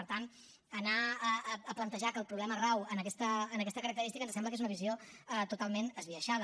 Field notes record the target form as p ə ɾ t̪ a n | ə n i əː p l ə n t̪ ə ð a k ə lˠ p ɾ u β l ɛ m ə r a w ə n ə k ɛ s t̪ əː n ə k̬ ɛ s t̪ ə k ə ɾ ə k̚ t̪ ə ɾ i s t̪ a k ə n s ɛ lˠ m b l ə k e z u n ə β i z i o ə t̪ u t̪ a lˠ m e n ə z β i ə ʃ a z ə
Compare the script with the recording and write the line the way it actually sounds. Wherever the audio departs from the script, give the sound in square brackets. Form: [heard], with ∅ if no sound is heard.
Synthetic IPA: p ə ɾ t̪ a n | ə n [a] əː p l ə n t̪ ə [ʒ] a k ə lˠ p ɾ u β l ɛ m ə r a w ə n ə k ɛ s t̪ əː n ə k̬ ɛ s t̪ ə k ə ɾ ə k̚ t̪ ə ɾ i s t̪ [i] k ə n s ɛ [∅] m b l ə k e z u n ə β i z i o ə t̪ u t̪ a lˠ m e n ə z β i ə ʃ a [ð] ə